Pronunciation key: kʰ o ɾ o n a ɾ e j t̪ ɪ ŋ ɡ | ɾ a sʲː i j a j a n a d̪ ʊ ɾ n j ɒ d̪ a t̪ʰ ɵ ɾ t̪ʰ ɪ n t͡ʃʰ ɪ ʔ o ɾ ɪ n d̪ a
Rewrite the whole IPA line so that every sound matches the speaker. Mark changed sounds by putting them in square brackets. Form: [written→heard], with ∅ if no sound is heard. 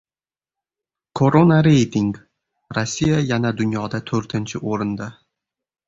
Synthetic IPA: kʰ o ɾ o n a ɾ e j t̪ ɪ ŋ ɡ | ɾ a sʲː i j a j a n a d̪ ʊ [ɾ→∅] n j ɒ d̪ a t̪ʰ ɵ ɾ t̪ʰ ɪ n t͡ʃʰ ɪ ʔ o ɾ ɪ n d̪ a

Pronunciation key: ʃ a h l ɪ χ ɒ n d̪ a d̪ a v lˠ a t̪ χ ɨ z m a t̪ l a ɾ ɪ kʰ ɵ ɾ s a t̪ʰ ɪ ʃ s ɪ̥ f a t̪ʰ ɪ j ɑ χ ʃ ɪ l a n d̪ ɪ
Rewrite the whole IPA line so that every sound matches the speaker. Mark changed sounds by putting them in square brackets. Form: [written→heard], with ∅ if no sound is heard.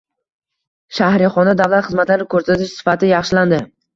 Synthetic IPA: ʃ a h [l→ɾ] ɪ χ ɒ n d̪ a d̪ a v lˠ a t̪ χ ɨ z m a t̪ l a ɾ ɪ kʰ ɵ ɾ s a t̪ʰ ɪ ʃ s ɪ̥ f a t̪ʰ ɪ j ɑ χ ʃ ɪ l a n d̪ ɪ

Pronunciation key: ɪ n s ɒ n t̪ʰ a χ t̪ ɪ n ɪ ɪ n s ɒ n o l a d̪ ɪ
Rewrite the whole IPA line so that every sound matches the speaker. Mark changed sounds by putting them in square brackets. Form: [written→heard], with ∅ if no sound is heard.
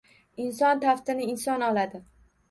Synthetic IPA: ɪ n s ɒ n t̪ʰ a [χ→f] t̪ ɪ n ɪ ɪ n s ɒ n [o→ɒ] l a d̪ ɪ

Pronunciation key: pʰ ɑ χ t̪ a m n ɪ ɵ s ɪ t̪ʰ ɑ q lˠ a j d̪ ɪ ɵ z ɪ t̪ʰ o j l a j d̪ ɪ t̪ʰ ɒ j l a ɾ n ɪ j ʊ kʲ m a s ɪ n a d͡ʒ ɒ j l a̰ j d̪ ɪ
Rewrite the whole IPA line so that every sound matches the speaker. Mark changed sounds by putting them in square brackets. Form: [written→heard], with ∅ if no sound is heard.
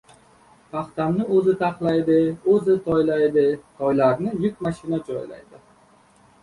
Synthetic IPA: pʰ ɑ χ t̪ a m n ɪ ɵ [s→z] ɪ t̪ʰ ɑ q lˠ a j d̪ ɪ ɵ z ɪ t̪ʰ [o→ɒ] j l a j d̪ ɪ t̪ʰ ɒ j l a ɾ n ɪ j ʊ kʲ m a [s→ʃ] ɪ n a d͡ʒ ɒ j l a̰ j d̪ ɪ

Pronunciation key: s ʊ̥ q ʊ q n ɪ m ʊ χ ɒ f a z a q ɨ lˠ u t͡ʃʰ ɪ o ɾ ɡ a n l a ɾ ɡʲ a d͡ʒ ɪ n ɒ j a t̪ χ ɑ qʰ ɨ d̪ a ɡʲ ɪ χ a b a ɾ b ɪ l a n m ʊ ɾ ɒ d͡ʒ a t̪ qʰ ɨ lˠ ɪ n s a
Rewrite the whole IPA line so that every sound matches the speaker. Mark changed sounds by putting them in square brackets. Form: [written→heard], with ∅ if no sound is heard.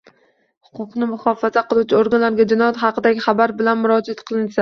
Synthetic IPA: [s→h] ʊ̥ q ʊ q n ɪ m ʊ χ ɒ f a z a q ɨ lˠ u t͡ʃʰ ɪ o ɾ ɡ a n l a ɾ ɡʲ a d͡ʒ ɪ n ɒ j a t̪ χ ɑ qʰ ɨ d̪ a ɡʲ ɪ χ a b a ɾ b ɪ l a n m ʊ ɾ ɒ d͡ʒ a t̪ qʰ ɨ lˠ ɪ n s a

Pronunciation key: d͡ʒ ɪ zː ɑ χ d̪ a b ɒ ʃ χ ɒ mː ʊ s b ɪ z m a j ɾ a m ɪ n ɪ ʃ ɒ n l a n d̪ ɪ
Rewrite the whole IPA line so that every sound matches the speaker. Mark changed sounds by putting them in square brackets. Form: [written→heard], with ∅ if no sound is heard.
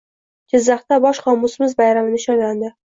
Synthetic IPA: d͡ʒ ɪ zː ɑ χ [d̪→t̪] a b ɒ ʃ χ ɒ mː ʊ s [b→m] ɪ z [m→b] a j ɾ a m ɪ n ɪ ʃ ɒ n l a n d̪ ɪ

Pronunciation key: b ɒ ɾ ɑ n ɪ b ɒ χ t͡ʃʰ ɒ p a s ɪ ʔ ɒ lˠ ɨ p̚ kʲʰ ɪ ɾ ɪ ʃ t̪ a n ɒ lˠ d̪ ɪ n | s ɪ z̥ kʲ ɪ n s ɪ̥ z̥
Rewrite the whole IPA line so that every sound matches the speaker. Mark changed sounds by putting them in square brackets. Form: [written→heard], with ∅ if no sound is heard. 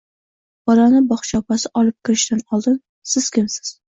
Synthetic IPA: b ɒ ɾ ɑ n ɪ b ɒ χ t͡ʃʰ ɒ p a s ɪ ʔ ɒ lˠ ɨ p̚ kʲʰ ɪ ɾ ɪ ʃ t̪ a n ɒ lˠ d̪ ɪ n | s ɪ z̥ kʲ ɪ [n→m] s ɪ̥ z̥

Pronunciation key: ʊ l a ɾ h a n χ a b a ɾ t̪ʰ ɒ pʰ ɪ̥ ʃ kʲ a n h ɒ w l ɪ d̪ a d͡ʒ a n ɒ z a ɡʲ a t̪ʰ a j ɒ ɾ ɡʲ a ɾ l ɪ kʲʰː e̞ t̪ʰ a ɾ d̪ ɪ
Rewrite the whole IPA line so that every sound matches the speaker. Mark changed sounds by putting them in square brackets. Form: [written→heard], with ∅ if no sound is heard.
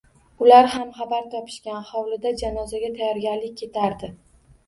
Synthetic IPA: ʊ l a ɾ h a [n→m] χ a b a ɾ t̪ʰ ɒ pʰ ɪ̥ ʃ kʲ a n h ɒ w l ɪ d̪ a d͡ʒ a n ɒ z a ɡʲ a t̪ʰ a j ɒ ɾ ɡʲ a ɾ l ɪ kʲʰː e̞ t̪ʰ a ɾ d̪ ɪ

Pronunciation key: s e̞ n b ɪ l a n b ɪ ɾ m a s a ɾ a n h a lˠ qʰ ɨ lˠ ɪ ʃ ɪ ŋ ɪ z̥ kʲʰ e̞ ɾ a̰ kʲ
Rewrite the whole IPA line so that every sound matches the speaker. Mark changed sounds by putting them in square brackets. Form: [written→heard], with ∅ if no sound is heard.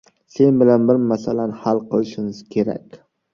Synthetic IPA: s e̞ n b ɪ l a n b ɪ ɾ m a s a [ɾ→l] a n h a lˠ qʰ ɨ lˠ ɪ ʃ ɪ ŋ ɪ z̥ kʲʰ e̞ ɾ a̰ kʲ

